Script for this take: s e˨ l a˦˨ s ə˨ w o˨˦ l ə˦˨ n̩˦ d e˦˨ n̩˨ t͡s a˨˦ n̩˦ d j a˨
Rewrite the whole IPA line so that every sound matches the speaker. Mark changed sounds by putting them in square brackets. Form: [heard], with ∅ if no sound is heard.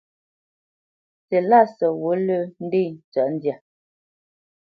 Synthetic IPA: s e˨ l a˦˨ s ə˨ w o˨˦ l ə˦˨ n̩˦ d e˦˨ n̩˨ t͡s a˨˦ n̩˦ d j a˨